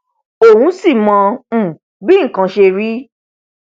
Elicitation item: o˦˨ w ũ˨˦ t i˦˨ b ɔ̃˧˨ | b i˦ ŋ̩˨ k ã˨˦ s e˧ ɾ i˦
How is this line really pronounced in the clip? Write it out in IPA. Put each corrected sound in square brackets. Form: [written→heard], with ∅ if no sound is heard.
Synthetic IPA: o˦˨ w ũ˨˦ [t→s] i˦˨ [b→m] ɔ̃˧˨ | b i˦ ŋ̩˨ k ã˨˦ [s→ʃ] e˧ ɾ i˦